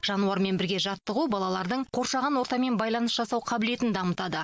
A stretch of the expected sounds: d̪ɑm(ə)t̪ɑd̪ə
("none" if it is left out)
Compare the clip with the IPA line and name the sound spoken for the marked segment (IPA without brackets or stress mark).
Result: ə